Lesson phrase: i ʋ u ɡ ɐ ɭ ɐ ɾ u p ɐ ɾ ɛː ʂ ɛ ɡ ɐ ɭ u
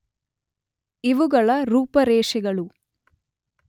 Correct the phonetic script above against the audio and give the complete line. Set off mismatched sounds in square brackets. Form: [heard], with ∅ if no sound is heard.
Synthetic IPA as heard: i ʋ u ɡ ɐ ɭ ɐ ɾ [uː] p ɐ ɾ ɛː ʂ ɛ ɡ ɐ ɭ u